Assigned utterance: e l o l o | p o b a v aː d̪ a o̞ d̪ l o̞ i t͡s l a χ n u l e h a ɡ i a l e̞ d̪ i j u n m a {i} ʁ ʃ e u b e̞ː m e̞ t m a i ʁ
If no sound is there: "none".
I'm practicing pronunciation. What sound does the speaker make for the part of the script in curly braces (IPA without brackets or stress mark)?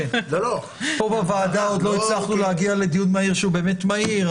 i